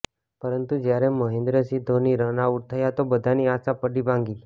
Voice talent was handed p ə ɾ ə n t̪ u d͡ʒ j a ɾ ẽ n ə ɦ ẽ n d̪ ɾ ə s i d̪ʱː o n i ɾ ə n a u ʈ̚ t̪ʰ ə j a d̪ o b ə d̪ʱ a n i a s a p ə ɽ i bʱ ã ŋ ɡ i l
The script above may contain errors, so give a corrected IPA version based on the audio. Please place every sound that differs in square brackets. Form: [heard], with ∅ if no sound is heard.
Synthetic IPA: p ə ɾ ə n t̪ u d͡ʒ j a ɾ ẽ [m] ə ɦ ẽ n d̪ ɾ ə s i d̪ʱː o n i ɾ ə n a u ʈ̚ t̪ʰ ə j a [t̪] o b ə d̪ʱ a n i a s a p ə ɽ i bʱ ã ŋ ɡ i l